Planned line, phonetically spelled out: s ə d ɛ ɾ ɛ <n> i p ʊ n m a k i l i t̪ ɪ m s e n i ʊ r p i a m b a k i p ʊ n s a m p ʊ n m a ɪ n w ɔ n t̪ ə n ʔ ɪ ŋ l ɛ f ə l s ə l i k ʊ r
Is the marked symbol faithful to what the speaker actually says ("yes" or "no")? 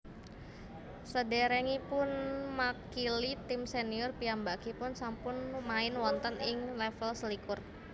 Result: no